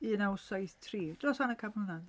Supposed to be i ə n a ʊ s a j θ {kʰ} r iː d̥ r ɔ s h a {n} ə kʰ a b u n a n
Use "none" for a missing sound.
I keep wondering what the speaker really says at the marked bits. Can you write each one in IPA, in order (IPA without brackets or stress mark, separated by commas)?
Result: tʰ, n